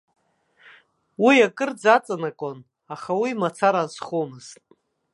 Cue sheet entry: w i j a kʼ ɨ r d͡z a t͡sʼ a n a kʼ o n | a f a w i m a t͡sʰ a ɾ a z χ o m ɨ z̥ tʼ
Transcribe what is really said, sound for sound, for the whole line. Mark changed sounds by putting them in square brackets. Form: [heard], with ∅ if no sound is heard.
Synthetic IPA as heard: w i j a kʼ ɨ r d͡z a t͡sʼ a n a kʼ o n | a [χ] a w i m a t͡sʰ a ɾ a z χ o m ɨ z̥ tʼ

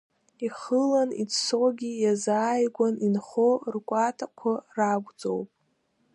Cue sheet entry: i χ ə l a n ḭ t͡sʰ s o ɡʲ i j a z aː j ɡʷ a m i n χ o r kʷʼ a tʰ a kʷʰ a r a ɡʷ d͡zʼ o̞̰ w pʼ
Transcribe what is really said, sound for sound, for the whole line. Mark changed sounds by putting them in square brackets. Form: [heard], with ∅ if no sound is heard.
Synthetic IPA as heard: i χ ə l a n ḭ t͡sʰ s o ɡʲ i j a z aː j ɡʷ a [n] i n χ o r kʷʼ a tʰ a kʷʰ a r a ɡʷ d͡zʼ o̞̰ w pʼ

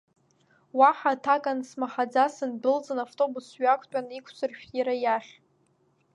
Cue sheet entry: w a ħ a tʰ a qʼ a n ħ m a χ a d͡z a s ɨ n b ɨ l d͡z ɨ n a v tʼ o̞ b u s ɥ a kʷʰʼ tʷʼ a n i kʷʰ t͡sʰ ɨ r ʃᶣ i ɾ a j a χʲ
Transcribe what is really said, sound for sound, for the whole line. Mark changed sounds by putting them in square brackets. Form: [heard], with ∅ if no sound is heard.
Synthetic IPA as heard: w a ħ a tʰ a [kʼ] a n [s] m a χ a d͡z a s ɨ n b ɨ l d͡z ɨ n a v tʼ o̞ b u s ɥ a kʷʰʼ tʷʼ a n i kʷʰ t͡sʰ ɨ r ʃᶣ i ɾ a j a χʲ

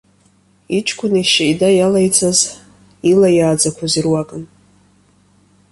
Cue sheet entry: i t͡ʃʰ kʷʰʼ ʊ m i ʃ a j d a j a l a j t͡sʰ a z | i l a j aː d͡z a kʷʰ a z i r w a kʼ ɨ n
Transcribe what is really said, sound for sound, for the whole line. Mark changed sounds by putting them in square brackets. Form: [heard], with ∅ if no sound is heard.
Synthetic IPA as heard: i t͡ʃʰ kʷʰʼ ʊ [n] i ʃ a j d a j a l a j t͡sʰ a z | i l a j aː d͡z a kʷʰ a z i r w a kʼ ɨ n

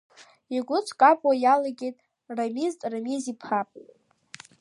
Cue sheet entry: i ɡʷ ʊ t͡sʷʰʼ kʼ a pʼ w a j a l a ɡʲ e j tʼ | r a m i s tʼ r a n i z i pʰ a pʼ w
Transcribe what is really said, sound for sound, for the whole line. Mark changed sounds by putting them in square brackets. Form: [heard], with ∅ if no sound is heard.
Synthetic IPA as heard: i ɡʷ ʊ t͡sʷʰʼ kʼ a pʼ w a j a l a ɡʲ e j tʼ | r a m i [z] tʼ r a [m] i z i pʰ a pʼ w

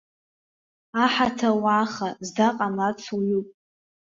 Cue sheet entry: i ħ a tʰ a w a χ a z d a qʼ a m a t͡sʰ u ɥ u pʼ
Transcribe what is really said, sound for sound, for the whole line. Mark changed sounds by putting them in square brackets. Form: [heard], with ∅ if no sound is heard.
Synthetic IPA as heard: [a] ħ a tʰ a w a χ a z d a qʼ a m a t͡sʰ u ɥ u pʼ

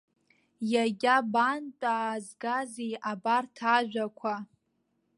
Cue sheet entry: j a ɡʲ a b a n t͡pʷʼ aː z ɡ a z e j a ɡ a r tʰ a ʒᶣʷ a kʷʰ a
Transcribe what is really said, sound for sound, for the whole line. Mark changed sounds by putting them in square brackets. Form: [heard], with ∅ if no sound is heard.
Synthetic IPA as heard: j a ɡʲ a b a n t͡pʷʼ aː z ɡ a z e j a [b] a r tʰ a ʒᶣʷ a kʷʰ a

